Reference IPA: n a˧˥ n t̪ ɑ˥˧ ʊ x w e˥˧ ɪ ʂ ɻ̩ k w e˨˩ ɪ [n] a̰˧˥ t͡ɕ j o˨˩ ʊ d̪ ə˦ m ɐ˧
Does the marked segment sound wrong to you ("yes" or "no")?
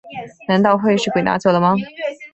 no